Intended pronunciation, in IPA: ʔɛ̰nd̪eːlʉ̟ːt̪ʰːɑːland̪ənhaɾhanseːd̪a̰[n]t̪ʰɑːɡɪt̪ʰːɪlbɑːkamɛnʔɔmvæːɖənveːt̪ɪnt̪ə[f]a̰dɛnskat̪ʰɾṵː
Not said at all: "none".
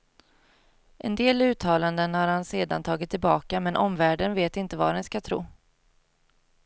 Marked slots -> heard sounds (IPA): n, v

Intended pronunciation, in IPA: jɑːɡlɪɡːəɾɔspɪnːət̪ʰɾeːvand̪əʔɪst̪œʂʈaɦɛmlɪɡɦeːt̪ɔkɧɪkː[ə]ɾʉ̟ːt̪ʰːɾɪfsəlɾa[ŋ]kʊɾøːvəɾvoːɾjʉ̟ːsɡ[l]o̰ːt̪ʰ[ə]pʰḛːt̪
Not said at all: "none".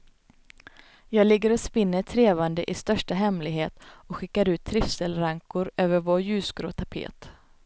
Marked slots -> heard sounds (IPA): a, ŋ, ɾ, a

